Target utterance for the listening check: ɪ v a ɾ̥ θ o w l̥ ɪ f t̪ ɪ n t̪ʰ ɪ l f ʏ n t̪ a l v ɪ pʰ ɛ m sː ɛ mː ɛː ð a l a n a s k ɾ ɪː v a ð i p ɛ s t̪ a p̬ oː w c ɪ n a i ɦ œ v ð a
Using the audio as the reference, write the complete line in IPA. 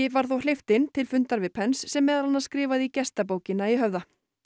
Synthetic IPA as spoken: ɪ v a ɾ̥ θ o w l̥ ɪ f t̪ ɪ n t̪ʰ ɪ l f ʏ n t̪ a ɾ v ɪ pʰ ɛ n sː ɛ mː ɛː ð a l a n a s k ɾ ɪː v a ð i c ɛ s t̪ a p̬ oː w c ɪ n a i ɦ œ v ð a